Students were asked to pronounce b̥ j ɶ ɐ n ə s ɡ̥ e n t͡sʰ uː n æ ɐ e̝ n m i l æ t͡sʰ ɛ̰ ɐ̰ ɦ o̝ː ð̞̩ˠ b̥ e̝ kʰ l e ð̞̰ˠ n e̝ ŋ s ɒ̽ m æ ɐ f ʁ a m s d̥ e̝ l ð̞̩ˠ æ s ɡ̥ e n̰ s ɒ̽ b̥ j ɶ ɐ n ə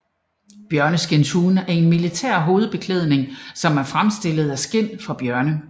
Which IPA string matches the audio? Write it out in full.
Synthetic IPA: b̥ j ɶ ɐ n ə s ɡ̥ e n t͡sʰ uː n æ ɐ e̝ n m i l i t͡sʰ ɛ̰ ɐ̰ ɦ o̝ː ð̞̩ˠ b̥ e̝ kʰ l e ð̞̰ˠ n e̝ ŋ s ɒ̽ m æ ɐ f ʁ a m s d̥ e̝ l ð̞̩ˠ æ s ɡ̥ e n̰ f ɒ̽ b̥ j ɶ ɐ n ə